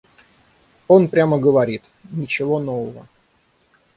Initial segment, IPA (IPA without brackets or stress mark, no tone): o̞